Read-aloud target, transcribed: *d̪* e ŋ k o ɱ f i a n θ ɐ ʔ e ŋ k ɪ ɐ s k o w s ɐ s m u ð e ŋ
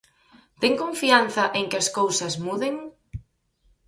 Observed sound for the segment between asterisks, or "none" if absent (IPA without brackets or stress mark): t̪